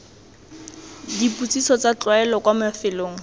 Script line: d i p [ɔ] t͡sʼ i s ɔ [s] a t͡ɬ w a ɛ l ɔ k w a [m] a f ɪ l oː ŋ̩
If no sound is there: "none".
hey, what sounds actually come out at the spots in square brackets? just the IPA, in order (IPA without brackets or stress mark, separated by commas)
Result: u, t͡s, m